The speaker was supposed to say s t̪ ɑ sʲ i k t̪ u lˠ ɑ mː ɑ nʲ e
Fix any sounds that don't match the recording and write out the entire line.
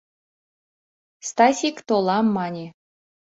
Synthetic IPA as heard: s t̪ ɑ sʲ i k t̪ o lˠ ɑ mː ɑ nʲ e